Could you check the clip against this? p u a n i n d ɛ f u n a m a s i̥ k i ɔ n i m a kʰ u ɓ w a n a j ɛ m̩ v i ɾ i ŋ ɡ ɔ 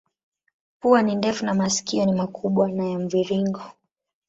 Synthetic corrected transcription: p u a n i n d ɛ f u n a m a s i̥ k i ɔ n i m a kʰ u ɓ w a n a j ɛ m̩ v i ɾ i ŋ ɡ ɔ